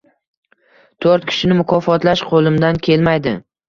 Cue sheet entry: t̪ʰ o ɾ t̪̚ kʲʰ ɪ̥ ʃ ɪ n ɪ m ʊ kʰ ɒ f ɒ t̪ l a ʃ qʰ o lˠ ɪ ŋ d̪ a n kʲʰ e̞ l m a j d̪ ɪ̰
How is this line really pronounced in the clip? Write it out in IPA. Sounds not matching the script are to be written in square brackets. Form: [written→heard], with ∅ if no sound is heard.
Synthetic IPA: t̪ʰ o ɾ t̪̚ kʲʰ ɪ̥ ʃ ɪ n ɪ m ʊ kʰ ɒ f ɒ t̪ l a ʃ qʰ o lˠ ɪ [ŋ→m] d̪ a n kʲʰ e̞ l m a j d̪ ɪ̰